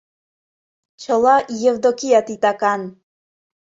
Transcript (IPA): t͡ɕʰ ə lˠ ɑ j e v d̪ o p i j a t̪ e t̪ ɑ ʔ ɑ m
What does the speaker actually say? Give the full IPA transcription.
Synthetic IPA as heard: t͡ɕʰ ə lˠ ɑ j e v d̪ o k i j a t̪ i t̪ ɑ k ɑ n